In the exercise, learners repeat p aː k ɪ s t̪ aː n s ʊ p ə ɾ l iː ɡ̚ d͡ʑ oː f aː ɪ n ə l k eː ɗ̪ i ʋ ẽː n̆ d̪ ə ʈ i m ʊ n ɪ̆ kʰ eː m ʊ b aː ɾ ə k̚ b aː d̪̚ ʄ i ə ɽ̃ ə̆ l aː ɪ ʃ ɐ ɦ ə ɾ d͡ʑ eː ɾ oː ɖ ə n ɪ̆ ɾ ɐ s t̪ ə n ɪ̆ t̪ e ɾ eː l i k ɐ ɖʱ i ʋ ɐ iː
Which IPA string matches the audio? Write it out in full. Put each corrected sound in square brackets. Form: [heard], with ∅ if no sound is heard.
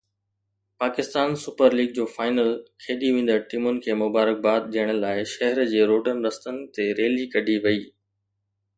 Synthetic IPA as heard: p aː k ɪ s t̪ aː n s ʊ p ə ɾ l iː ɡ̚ d͡ʑ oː f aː ɪ n ə l [kʰ] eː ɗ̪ i ʋ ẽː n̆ d̪ ə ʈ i m ʊ n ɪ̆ kʰ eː m ʊ b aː ɾ ə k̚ b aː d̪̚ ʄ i ə ɽ̃ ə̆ l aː ɪ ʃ ɐ ɦ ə ɾ d͡ʑ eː ɾ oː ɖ ə n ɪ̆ ɾ ɐ s t̪ ə n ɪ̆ t̪ e ɾ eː l i k ɐ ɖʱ i ʋ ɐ iː